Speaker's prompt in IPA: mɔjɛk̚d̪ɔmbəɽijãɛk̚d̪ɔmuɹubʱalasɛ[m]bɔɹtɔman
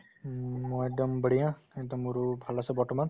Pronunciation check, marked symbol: incorrect: none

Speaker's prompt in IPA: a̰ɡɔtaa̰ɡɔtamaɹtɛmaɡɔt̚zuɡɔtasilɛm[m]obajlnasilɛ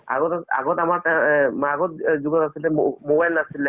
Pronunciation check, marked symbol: correct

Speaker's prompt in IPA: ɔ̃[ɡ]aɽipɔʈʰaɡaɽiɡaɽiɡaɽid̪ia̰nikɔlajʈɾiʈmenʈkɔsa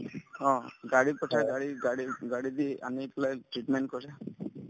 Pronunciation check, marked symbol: correct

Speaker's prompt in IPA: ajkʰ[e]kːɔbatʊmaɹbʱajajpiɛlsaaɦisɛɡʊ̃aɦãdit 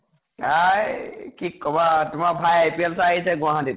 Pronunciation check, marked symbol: incorrect: i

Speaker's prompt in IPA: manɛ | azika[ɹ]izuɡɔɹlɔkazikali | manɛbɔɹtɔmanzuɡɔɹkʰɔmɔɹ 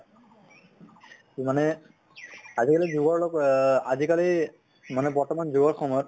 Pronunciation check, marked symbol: incorrect: l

